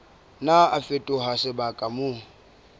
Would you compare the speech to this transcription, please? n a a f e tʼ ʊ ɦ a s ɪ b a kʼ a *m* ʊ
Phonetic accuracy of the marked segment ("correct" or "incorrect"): correct